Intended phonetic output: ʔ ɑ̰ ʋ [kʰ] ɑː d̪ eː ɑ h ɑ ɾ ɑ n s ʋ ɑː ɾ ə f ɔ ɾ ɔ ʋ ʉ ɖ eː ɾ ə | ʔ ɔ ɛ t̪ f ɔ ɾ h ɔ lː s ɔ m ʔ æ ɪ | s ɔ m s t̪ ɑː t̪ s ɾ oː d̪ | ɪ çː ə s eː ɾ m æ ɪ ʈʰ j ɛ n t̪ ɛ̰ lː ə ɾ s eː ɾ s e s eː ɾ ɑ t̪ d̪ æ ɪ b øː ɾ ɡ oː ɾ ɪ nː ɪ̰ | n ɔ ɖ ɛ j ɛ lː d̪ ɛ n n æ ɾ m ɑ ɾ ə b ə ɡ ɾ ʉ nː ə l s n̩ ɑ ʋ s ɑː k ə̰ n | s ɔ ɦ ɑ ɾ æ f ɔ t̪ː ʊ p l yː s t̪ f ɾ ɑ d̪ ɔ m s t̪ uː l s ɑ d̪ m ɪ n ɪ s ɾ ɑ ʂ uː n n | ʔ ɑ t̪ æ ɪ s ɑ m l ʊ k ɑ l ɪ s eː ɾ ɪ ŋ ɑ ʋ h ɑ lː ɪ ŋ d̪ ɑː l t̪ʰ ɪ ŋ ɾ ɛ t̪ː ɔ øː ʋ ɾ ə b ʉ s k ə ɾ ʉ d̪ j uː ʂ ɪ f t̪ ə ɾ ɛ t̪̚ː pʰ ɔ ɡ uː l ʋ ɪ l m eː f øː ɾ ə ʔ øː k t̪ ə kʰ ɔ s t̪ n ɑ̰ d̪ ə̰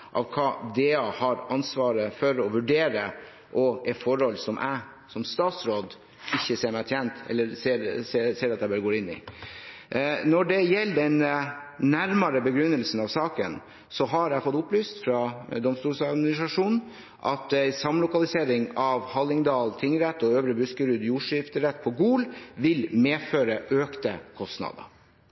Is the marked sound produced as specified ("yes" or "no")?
yes